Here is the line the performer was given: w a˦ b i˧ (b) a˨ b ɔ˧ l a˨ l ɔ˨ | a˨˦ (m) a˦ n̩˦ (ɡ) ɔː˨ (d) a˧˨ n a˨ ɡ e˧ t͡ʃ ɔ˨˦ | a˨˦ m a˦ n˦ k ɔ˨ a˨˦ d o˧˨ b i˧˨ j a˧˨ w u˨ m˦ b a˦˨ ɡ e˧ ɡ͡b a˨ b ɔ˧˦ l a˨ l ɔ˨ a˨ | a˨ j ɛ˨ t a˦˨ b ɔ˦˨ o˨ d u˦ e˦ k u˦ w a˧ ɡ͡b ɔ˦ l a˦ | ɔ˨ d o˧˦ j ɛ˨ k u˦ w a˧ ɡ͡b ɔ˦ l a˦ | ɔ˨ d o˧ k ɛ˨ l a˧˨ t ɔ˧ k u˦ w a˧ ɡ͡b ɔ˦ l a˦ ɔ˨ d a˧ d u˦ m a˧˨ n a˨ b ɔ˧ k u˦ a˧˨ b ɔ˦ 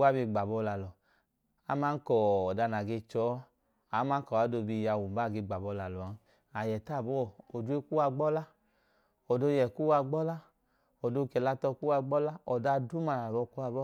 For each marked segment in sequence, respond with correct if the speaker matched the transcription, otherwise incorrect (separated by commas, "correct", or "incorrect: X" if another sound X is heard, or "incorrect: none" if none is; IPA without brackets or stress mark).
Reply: incorrect: ɡ͡b, correct, incorrect: k, correct